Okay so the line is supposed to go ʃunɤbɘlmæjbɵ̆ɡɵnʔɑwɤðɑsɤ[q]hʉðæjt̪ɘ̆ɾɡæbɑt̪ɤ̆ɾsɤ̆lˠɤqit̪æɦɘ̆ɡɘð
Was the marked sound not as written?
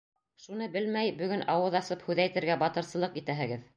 yes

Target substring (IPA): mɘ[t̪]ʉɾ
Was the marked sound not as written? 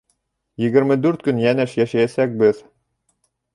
yes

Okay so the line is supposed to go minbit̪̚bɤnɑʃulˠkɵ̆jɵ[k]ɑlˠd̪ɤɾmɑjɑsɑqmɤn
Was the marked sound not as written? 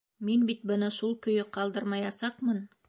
yes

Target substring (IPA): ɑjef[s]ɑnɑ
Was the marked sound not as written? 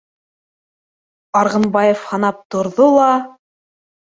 yes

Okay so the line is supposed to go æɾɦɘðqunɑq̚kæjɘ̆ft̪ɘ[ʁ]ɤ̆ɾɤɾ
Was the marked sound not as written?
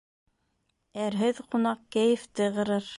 no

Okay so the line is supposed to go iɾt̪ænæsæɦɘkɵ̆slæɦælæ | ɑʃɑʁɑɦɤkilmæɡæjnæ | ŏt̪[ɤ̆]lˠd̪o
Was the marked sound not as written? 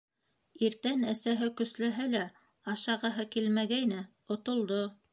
yes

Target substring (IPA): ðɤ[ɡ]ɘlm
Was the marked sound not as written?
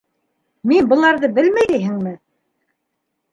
yes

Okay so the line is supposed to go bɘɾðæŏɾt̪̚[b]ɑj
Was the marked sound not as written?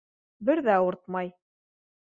yes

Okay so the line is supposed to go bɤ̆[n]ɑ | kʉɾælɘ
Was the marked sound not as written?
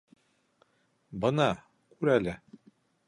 no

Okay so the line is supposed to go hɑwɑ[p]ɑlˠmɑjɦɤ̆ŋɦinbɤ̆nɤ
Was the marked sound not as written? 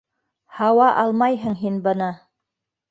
yes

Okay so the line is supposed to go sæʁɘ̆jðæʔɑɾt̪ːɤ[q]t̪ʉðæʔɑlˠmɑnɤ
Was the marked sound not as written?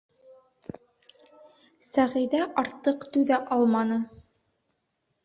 no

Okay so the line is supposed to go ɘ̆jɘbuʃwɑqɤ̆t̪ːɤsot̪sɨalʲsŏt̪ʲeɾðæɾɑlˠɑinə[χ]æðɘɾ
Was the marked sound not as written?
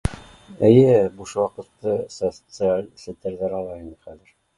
no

